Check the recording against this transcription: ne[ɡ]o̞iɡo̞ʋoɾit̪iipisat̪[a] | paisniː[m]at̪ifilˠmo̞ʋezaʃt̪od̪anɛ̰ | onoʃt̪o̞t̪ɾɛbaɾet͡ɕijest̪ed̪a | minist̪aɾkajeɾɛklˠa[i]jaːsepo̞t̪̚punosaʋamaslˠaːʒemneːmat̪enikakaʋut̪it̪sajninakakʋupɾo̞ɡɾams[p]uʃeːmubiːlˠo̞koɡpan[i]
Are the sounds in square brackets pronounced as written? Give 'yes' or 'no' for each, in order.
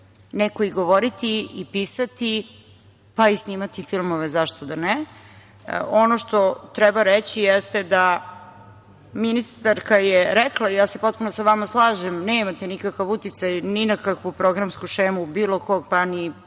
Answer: no, no, yes, yes, no, yes

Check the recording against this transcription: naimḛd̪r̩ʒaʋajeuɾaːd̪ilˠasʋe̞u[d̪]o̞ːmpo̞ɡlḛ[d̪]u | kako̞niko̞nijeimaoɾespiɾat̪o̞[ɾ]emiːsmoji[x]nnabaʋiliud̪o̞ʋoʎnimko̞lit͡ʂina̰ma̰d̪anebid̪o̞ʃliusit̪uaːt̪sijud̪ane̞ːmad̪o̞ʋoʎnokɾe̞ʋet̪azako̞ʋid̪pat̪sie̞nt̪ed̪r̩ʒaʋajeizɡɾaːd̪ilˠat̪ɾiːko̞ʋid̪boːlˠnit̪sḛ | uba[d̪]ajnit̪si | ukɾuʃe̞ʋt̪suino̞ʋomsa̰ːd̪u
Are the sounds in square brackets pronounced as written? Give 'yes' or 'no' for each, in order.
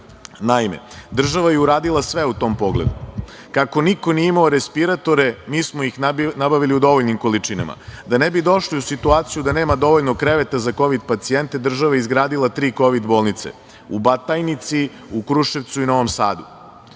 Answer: no, yes, yes, yes, no

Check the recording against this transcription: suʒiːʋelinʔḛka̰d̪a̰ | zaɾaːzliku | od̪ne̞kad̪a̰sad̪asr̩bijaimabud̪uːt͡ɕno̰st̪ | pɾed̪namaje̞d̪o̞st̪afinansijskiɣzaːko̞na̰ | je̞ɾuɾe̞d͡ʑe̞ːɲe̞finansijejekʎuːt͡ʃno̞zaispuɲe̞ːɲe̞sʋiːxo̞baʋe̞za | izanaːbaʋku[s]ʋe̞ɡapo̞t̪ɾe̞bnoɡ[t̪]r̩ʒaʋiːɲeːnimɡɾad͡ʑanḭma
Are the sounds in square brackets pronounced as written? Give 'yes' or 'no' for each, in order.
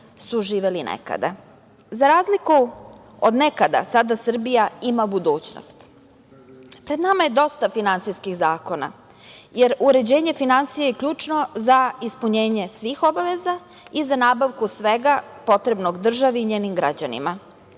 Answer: yes, no

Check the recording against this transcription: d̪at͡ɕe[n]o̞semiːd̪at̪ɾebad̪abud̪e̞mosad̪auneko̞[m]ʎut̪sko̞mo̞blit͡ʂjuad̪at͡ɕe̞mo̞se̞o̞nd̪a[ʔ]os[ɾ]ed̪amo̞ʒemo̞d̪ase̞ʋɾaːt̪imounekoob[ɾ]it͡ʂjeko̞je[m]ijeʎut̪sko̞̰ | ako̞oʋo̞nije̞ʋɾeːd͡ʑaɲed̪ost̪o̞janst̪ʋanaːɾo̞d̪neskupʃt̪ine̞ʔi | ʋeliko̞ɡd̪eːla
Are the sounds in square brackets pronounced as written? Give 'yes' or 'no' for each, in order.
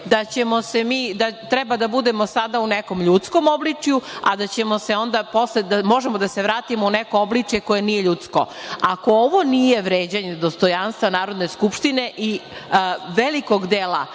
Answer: no, yes, no, no, no, no

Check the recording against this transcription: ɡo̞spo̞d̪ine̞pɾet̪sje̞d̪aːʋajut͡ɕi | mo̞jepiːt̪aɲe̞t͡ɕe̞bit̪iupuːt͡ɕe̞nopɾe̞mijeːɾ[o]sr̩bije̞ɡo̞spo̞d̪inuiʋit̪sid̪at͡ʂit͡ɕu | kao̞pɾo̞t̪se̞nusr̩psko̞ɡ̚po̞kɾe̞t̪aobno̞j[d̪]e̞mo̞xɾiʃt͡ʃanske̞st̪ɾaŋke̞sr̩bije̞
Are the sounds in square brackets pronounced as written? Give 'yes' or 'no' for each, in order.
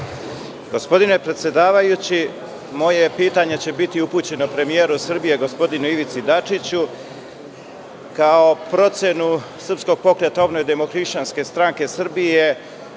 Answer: no, yes

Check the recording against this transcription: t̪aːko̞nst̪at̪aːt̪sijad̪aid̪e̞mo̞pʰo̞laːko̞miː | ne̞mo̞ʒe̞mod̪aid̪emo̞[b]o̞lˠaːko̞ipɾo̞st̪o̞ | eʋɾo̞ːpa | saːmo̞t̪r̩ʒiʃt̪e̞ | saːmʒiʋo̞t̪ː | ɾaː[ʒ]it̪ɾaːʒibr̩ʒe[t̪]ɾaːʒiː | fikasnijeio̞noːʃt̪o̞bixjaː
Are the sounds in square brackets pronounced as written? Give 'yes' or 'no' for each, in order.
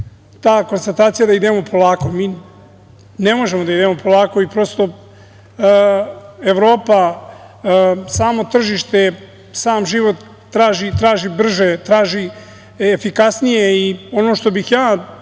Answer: no, yes, yes

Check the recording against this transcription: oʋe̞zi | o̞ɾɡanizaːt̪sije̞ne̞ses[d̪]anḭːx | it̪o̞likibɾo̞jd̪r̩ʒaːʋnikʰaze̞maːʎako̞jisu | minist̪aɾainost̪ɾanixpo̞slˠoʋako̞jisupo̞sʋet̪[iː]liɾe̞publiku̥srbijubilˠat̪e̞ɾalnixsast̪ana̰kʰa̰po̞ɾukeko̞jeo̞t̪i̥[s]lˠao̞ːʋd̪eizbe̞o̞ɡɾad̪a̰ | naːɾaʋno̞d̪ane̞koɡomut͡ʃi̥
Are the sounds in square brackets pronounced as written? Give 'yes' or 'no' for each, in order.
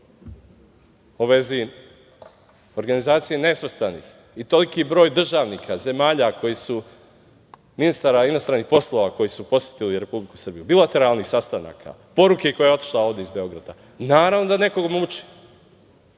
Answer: no, no, no

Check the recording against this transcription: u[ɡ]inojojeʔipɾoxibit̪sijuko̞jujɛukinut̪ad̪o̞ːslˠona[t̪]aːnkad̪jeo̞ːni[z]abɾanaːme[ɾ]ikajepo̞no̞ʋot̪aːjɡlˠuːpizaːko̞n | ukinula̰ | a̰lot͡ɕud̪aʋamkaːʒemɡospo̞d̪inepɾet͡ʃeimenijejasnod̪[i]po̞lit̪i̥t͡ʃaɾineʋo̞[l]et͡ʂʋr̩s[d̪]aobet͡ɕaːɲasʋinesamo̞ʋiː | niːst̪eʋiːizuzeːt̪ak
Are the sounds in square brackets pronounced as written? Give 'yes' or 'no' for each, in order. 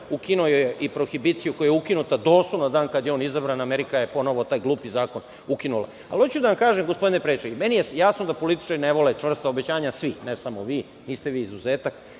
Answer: no, no, yes, yes, no, yes, no

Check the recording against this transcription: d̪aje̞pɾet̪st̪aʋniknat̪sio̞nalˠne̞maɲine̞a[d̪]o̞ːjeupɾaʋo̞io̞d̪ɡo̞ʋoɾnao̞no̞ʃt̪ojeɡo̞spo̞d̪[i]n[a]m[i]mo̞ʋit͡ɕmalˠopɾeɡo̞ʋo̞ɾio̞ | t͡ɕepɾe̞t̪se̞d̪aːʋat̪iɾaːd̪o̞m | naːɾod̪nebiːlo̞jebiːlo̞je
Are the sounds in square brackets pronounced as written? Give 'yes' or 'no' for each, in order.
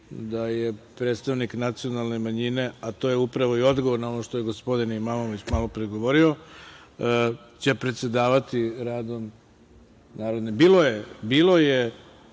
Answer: no, yes, no, no

